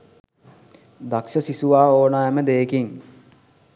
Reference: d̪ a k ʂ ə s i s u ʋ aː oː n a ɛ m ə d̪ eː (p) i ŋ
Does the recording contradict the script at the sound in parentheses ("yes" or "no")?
yes